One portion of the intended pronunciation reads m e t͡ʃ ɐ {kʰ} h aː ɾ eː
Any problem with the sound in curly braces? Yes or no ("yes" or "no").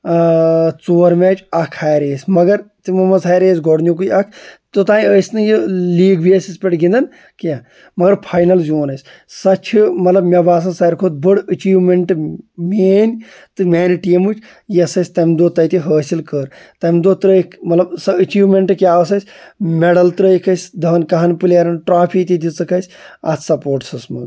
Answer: no